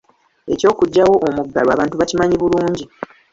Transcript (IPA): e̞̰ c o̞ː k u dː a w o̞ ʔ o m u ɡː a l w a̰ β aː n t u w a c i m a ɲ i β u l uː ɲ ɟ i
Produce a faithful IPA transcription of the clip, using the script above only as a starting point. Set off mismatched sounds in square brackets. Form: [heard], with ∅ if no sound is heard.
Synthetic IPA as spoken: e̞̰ c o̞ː k u [ɟː] a w o̞ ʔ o m u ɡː a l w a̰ β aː n t u [β] a c i m a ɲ i β u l uː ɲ ɟ i